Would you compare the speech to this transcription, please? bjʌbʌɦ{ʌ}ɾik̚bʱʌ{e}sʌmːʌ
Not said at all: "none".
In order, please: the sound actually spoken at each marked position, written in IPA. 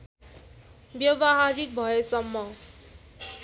a, e

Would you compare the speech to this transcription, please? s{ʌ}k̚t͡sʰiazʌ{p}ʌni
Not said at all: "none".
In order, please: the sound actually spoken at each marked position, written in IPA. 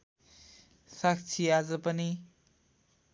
a, p

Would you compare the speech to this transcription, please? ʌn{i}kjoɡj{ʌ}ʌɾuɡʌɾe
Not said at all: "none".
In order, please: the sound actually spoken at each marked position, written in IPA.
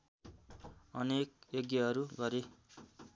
e, ʌ

